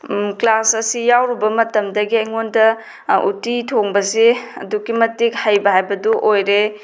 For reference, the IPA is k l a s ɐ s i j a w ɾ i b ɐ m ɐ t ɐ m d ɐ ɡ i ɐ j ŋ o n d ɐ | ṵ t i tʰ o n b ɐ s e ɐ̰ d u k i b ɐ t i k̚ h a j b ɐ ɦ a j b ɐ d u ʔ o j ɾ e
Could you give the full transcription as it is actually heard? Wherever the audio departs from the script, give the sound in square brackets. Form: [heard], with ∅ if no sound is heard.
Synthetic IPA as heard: k l a s ɐ s i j a w ɾ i b ɐ m ɐ t ɐ m d ɐ ɡ i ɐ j ŋ o n d ɐ | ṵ t i tʰ o [ŋ] b ɐ s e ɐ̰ d u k i [m] ɐ t i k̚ h a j b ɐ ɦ a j b ɐ d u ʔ o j ɾ e